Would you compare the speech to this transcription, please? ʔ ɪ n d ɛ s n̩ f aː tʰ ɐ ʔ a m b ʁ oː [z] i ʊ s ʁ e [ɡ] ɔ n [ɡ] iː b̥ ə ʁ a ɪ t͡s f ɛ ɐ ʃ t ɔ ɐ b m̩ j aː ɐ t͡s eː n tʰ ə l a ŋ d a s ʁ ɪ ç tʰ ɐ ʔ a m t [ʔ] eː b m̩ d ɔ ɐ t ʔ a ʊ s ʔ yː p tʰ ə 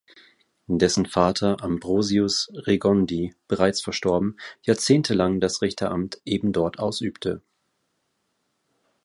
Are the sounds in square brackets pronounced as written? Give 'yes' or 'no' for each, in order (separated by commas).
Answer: yes, yes, no, yes